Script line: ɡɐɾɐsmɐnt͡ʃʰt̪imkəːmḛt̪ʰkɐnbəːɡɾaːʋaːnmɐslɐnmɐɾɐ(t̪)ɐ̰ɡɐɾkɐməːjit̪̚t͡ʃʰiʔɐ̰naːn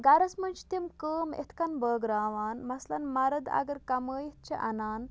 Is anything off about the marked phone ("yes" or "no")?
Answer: yes